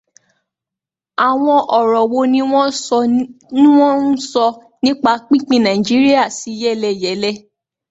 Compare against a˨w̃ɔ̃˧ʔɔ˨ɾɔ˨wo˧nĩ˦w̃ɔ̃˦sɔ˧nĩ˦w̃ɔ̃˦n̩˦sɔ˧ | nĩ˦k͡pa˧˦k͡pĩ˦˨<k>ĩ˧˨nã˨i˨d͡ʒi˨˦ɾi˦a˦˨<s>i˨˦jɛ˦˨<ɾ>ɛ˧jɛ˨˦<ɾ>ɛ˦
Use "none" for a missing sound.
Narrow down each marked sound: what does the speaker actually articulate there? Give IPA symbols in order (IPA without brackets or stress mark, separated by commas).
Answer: k͡p, s, l, l